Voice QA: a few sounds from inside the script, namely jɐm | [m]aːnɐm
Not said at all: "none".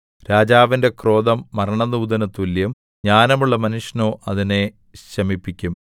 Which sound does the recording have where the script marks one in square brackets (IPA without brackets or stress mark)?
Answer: ɲ